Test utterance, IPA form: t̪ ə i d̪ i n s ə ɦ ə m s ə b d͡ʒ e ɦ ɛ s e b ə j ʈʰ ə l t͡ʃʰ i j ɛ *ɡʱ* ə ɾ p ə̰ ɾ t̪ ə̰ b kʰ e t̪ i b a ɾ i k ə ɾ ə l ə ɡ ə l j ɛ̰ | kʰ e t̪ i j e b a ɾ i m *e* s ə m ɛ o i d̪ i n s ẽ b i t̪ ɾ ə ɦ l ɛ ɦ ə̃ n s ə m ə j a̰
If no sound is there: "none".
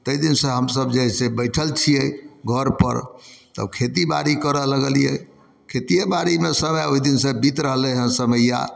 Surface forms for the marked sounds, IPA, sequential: ɡʱ, e

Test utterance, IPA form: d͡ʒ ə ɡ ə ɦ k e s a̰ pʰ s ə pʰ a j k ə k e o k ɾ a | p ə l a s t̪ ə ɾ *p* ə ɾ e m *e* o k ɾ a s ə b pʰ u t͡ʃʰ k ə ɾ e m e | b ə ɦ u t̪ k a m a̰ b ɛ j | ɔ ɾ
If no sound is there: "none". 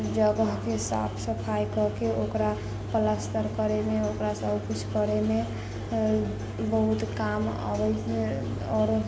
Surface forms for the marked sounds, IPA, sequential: k, e

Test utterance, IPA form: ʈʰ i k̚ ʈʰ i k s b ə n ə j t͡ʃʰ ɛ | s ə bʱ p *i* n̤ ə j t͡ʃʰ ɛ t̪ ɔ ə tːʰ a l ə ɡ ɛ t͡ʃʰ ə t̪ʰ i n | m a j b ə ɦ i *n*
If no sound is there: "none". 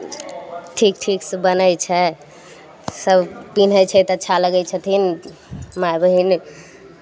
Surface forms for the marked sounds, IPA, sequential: i, n

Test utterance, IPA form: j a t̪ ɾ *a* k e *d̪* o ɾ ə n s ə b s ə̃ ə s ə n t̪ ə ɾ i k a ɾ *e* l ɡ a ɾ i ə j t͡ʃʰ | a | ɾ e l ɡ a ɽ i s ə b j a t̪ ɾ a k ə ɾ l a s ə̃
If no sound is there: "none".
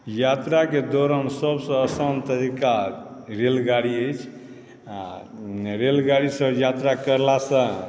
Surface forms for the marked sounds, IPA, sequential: a, d̪, e

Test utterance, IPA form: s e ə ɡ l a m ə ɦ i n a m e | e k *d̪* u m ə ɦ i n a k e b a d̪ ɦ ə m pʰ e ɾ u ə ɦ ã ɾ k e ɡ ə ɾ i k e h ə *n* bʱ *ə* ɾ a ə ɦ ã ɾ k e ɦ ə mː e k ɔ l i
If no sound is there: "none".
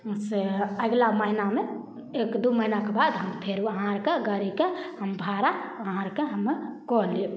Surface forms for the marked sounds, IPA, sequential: d̪, m, a

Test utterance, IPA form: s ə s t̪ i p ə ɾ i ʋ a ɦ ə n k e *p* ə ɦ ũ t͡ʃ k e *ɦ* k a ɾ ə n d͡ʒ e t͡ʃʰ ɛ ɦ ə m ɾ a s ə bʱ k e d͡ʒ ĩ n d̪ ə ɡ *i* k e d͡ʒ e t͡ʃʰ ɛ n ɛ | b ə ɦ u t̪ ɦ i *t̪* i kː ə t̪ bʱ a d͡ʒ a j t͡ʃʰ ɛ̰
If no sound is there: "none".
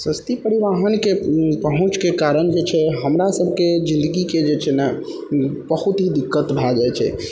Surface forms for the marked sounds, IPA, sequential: p, none, i, d̪

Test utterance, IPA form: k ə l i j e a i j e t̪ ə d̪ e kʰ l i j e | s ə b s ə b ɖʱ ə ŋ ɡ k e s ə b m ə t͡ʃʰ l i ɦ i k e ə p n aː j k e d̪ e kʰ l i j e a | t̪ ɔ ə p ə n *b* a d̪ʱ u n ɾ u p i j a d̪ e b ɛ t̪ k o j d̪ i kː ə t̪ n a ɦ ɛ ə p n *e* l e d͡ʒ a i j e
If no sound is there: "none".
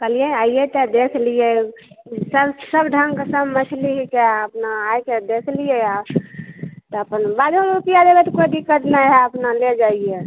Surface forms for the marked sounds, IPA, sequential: b, a

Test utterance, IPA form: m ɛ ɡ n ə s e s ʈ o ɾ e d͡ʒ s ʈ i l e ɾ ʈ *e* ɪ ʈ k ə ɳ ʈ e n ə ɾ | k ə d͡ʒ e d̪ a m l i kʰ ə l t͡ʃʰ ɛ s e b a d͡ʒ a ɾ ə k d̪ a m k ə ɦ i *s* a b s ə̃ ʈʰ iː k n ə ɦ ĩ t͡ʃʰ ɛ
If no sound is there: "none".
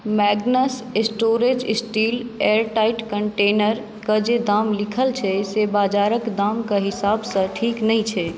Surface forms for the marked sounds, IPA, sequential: a, s

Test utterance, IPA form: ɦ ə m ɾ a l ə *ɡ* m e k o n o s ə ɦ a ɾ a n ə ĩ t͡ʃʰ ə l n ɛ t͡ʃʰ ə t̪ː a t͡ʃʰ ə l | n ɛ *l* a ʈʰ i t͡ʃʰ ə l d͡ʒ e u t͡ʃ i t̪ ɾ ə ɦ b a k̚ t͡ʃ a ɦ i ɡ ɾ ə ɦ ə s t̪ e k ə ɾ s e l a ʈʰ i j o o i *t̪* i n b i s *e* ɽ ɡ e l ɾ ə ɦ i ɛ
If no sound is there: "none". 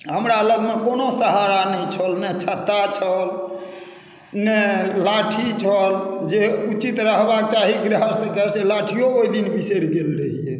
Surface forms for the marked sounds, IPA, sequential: ɡ, l, d̪, e

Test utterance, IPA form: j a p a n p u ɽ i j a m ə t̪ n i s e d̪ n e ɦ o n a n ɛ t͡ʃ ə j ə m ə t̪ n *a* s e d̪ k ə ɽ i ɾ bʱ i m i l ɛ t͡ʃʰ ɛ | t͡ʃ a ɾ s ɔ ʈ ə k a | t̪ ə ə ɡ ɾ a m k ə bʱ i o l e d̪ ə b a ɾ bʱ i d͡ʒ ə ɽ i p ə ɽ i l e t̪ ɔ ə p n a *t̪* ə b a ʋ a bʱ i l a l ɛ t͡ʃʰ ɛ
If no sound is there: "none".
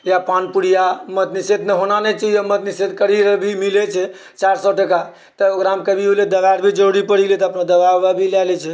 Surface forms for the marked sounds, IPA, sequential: i, d̪

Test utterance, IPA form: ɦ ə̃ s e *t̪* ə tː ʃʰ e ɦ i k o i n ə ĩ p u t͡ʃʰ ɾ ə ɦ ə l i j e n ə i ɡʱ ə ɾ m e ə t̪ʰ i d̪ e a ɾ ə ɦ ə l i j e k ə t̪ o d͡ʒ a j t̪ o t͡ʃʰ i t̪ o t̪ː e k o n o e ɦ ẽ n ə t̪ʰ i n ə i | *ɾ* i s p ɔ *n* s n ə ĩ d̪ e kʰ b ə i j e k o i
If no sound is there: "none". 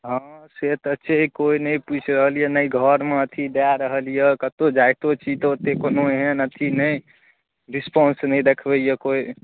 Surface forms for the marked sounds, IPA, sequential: t̪, ɾ, n

